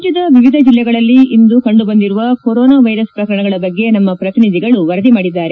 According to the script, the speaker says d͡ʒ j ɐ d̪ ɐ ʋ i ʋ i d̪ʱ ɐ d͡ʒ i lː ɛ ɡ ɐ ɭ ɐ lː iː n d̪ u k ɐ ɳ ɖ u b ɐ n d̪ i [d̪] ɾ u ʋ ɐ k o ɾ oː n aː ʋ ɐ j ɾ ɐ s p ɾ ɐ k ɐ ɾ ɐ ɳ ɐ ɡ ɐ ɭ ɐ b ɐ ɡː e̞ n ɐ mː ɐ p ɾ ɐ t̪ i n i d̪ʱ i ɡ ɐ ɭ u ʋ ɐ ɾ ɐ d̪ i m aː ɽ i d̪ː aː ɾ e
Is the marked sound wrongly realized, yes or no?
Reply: yes